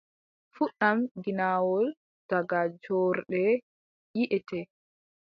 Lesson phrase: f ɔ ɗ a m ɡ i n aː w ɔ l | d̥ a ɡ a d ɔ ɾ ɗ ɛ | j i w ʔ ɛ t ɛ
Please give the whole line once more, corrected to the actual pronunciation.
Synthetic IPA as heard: f u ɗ a m ɡ i n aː w ɔ l | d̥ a ɡ a d͡ʒ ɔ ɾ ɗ ɛ | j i ʔ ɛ t ɛ